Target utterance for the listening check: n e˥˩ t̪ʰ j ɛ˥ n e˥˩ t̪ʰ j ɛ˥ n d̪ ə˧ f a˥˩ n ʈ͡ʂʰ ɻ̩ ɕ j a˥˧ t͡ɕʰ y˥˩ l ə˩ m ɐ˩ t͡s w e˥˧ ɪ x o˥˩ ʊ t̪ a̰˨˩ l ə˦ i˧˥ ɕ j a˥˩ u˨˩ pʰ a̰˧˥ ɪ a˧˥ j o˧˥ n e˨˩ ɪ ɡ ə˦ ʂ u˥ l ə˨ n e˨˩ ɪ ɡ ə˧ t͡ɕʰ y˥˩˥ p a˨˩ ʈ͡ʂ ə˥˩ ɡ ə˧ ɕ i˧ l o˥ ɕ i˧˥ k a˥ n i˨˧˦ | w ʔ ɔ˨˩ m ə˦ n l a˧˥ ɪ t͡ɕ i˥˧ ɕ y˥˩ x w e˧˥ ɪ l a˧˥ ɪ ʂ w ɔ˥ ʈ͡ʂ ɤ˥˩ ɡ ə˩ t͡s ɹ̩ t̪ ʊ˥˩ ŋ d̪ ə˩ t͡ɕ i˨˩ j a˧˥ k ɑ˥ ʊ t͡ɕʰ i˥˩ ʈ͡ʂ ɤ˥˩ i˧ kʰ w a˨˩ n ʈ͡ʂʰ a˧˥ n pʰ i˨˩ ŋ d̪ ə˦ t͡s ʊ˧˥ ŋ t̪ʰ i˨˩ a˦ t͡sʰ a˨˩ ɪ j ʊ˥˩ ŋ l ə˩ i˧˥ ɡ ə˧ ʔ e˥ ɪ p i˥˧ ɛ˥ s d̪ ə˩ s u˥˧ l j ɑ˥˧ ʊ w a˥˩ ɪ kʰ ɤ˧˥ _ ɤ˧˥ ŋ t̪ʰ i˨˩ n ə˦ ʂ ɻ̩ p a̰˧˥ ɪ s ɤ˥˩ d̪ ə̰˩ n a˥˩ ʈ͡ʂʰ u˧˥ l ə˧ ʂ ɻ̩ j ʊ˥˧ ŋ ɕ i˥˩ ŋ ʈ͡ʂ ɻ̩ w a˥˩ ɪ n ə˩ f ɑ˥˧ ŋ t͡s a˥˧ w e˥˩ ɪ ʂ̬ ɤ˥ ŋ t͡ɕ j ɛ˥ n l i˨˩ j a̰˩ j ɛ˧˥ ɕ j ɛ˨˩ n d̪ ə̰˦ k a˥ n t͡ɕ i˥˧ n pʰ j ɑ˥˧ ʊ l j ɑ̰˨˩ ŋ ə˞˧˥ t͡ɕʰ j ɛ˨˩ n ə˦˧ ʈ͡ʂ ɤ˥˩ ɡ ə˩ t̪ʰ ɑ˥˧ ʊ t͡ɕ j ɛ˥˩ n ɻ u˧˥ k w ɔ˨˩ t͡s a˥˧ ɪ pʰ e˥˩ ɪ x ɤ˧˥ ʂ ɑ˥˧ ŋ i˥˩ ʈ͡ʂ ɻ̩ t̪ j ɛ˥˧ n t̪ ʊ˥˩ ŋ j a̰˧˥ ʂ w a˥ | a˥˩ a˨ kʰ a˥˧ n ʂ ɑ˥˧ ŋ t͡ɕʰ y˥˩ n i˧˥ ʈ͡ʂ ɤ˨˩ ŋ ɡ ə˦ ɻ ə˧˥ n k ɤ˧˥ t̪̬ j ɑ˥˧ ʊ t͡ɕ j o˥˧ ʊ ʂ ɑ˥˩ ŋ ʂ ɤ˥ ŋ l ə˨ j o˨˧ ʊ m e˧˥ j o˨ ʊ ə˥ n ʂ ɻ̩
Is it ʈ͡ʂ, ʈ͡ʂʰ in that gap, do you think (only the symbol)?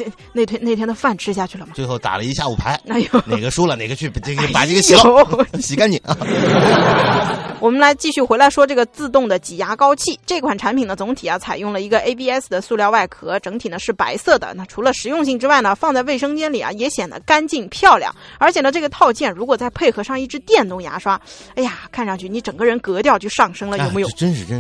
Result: ʈ͡ʂ